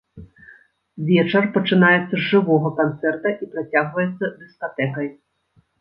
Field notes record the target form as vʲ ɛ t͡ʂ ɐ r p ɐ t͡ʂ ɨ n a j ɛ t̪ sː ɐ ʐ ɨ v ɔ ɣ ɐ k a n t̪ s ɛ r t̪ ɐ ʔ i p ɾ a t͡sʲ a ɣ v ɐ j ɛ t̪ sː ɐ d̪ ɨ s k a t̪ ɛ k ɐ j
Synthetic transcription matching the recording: vʲ ɛ t͡ʂ ɐ r p ɐ t͡ʂ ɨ n a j ɛ t̪ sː ɐ ʐ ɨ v ɔ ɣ ɐ k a n t̪ s ɛ r t̪ ɐ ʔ i p ɾ a t͡sʲ a ɣ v ɐ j ɛ t̪ sː ɐ d̪ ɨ s k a t̪ ɛ k ɐ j